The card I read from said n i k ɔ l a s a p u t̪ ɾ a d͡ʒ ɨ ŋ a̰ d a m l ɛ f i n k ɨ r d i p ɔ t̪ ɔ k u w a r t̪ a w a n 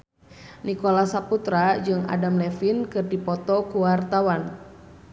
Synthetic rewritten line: n i k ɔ l a s a p u t̪ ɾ a d͡ʒ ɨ ŋ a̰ d a m l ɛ f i n k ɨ r d i p ɔ t̪ ɔ k u w a r t̪ a w a n

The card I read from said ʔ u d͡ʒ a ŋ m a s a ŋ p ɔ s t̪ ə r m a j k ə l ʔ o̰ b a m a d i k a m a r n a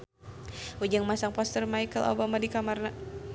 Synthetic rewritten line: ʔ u d͡ʒ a ŋ m a s a ŋ p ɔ s t̪ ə r m a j k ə l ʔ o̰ b a m a d i k a m a r n a

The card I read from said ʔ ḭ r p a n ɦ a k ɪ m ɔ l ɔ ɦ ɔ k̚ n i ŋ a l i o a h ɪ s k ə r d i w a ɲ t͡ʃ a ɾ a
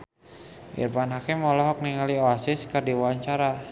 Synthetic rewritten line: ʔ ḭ r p a n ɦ a k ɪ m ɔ l ɔ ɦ ɔ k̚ n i ŋ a l i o a s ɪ s k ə r d i w a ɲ t͡ʃ a ɾ a

